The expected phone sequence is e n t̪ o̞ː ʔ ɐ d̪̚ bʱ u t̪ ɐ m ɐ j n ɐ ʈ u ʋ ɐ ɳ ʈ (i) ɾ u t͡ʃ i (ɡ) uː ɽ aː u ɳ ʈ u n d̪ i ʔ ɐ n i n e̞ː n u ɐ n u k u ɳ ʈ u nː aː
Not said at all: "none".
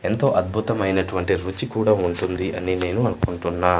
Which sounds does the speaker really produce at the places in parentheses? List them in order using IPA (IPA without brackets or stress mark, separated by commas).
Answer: i, k